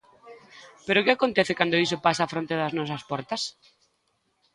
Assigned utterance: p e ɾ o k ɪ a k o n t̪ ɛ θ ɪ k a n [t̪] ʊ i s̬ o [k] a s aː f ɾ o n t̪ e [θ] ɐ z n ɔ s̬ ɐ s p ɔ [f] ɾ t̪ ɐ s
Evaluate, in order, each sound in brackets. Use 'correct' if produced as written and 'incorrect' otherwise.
incorrect, incorrect, incorrect, incorrect

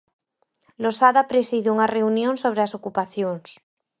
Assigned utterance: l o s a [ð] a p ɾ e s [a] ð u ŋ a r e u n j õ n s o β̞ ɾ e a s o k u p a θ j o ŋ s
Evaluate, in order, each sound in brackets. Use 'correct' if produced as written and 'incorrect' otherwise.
correct, incorrect

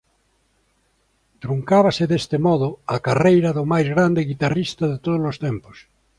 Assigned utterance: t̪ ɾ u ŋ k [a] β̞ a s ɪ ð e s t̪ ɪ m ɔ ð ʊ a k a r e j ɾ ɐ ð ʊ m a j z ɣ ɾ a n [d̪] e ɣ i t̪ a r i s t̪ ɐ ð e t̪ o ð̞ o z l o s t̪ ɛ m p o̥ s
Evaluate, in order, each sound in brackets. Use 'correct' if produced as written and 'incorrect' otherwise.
correct, correct

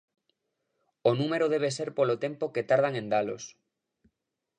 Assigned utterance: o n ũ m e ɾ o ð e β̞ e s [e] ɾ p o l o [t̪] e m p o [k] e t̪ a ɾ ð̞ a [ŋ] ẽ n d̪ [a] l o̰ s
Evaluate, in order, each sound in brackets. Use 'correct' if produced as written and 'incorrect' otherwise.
correct, correct, correct, correct, correct

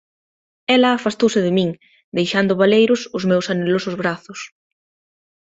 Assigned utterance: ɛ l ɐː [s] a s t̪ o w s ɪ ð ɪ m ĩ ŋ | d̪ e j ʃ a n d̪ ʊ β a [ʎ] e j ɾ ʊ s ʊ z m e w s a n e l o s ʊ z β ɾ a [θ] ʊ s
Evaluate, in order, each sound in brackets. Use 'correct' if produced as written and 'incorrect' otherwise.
incorrect, incorrect, correct

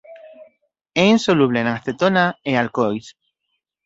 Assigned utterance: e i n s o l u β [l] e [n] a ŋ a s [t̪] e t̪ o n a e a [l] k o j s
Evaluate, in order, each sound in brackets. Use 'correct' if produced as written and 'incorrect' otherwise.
correct, correct, correct, correct

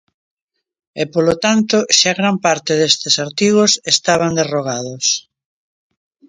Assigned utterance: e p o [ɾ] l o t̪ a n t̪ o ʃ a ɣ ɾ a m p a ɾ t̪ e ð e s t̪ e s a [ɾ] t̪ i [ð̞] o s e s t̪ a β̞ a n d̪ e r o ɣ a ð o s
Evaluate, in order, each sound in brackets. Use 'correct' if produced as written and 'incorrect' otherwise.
incorrect, correct, incorrect

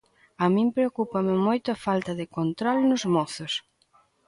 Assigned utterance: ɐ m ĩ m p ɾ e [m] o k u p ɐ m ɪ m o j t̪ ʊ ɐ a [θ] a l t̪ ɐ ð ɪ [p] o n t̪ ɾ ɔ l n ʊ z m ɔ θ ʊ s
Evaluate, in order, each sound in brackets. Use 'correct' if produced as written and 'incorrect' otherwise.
incorrect, incorrect, incorrect

